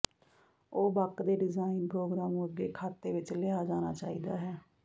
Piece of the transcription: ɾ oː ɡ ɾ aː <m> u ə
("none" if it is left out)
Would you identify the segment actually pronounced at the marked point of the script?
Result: m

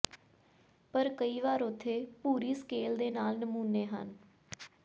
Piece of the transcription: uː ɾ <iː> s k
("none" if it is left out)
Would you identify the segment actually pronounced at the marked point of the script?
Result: iː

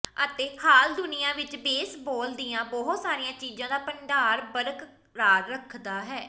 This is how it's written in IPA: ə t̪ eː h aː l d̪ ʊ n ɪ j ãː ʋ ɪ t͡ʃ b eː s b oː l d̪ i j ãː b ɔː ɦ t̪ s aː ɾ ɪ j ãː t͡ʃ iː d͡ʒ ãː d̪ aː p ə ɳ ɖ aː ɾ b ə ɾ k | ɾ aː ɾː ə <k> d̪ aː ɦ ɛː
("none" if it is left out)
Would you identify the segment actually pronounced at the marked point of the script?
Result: kʰ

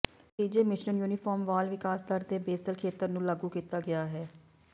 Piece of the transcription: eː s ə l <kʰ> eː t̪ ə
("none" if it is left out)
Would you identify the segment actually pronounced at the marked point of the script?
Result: kʰ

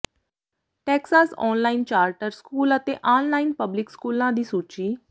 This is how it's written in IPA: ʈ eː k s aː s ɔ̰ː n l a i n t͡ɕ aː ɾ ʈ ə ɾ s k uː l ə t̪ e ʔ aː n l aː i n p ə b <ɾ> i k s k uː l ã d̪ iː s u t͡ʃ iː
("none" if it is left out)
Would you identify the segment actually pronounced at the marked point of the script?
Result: l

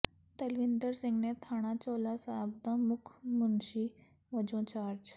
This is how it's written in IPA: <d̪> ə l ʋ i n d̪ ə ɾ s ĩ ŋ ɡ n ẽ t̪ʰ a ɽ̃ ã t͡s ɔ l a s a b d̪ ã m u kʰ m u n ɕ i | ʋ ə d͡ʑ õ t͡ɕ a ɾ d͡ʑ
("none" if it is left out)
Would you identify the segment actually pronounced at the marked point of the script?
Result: t̪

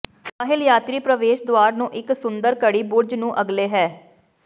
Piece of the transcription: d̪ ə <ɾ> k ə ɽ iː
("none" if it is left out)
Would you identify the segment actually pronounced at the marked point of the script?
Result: ɾ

